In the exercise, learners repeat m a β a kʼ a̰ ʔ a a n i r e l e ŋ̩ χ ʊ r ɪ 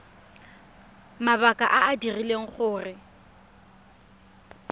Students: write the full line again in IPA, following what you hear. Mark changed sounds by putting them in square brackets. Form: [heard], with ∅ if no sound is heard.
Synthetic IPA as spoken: m a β a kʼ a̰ ʔ a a [d] i r [i] l e ŋ̩ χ [ʊː] r ɪ